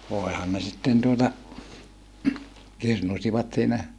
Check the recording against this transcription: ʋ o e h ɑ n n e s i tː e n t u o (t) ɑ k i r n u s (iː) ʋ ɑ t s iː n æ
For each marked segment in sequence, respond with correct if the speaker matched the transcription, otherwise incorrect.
correct, incorrect: i

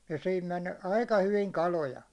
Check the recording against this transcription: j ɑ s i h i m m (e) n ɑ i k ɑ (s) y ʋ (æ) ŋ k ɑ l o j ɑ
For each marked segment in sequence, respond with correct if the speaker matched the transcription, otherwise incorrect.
correct, incorrect: h, incorrect: i

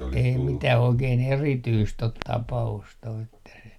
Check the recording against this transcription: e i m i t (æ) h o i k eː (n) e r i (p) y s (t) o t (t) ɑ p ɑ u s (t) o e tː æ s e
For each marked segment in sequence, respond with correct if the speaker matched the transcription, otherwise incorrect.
correct, correct, incorrect: t, correct, correct, correct

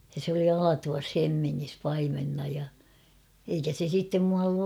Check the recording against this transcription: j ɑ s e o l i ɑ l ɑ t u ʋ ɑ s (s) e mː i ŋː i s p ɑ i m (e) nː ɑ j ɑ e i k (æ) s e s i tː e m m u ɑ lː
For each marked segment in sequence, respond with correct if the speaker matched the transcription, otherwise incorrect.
incorrect: h, correct, correct

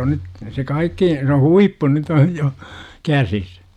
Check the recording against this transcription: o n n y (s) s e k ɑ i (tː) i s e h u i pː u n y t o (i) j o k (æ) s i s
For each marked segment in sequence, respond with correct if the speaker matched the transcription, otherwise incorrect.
incorrect: t, incorrect: kː, incorrect: j, correct

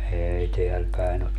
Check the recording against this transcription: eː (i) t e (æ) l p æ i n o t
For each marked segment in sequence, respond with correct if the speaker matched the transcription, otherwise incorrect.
correct, correct

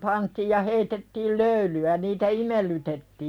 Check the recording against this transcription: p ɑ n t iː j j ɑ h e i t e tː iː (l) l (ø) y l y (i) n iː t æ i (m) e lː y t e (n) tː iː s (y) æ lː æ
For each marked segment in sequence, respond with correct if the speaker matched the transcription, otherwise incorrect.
correct, correct, incorrect: æ, correct, incorrect: none, incorrect: i

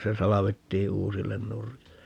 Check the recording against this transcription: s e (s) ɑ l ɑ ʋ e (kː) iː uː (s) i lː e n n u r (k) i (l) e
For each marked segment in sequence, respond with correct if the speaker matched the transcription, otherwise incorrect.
correct, incorrect: tː, correct, correct, incorrect: lː

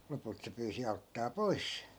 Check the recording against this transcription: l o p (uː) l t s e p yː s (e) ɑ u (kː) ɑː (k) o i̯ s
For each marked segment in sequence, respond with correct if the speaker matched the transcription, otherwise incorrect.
incorrect: u, incorrect: i, incorrect: tː, incorrect: p

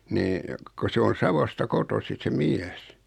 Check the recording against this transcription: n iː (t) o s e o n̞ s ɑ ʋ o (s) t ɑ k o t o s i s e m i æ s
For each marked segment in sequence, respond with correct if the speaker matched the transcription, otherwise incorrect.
incorrect: k, correct

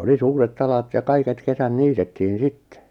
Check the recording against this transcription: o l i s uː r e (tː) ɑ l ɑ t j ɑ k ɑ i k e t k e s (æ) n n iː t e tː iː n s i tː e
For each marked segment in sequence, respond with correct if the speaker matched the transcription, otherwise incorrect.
correct, correct

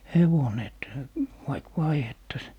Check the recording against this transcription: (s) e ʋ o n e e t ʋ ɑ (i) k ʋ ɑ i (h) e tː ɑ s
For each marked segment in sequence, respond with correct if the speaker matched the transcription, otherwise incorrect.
incorrect: h, correct, correct

